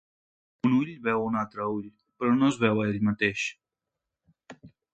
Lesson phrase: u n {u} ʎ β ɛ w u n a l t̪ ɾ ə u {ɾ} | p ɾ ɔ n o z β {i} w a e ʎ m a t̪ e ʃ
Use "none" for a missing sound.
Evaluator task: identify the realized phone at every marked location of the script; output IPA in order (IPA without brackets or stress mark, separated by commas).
u, ʎ, ɛ